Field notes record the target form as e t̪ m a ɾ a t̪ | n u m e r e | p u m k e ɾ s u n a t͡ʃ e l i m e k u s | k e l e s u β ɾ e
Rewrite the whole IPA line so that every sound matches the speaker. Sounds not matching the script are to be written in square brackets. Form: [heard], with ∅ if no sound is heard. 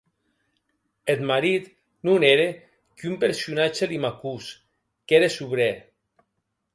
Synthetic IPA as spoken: e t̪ m a ɾ [i] t̪ | n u [n] e [ɾ] e | [k] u m [p] e ɾ s u n a t͡ʃ e l i m [a] k u s | k e [ɾ] e s u β ɾ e